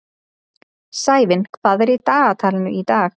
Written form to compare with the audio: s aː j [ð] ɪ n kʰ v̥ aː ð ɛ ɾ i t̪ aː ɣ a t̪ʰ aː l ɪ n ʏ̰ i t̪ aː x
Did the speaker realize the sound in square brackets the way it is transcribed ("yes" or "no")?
no